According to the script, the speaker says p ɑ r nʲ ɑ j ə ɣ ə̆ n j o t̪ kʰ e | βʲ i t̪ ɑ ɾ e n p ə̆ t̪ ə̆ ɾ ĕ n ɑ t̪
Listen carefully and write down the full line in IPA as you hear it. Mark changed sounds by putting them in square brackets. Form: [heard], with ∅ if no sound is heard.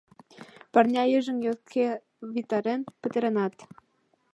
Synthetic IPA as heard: p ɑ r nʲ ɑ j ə [ʒ] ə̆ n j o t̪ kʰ e | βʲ i t̪ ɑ ɾ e n p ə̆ t̪ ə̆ ɾ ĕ n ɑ t̪